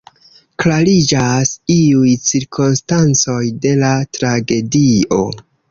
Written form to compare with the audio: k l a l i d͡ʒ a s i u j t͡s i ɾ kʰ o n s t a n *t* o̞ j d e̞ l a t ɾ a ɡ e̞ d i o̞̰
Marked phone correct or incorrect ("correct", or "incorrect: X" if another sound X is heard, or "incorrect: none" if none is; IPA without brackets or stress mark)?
incorrect: t͡s